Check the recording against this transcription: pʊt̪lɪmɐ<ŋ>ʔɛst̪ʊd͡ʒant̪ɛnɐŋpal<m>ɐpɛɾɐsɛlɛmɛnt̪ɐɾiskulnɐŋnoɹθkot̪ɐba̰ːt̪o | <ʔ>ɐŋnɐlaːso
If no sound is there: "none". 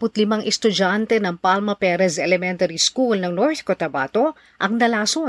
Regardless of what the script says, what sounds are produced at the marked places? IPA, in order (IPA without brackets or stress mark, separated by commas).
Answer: ŋ, m, ʔ